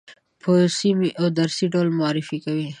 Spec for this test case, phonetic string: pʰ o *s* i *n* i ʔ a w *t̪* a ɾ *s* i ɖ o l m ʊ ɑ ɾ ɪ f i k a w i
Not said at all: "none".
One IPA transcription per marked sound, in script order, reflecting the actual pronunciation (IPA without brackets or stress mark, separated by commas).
s, m, d̪, s